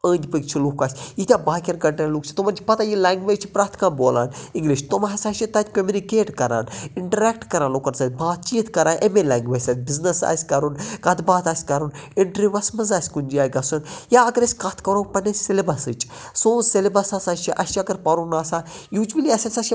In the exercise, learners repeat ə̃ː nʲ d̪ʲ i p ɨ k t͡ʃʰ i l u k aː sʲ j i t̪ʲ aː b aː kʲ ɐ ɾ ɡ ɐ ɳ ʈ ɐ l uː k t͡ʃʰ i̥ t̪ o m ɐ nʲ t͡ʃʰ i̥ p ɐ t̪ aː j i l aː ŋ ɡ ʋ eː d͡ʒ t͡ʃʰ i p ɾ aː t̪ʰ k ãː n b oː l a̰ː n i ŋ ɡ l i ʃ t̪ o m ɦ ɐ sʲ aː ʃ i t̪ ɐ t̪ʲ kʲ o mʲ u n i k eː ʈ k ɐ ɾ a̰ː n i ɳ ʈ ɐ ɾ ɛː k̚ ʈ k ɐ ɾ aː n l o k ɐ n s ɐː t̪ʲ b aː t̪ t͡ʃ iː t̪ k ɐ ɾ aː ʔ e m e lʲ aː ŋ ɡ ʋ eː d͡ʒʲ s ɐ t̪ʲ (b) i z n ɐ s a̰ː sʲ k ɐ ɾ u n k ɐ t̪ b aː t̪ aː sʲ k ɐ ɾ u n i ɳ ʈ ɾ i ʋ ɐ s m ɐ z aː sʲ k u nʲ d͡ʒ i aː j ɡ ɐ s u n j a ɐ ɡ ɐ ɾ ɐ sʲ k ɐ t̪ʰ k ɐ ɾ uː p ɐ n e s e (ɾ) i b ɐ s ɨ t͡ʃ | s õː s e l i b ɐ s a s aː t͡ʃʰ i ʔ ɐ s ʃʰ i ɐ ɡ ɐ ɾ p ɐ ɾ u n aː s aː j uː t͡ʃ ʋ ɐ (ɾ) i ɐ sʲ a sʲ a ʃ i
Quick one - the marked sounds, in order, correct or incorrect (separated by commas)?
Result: correct, incorrect, incorrect